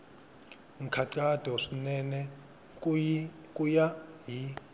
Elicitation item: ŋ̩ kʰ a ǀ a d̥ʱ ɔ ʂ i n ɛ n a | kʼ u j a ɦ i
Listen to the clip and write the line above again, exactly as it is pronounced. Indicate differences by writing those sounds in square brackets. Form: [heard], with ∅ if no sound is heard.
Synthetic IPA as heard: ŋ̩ kʰ a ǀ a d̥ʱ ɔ ʂ i n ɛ n [ɛ] | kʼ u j a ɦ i